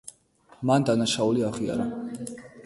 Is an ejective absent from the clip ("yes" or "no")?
yes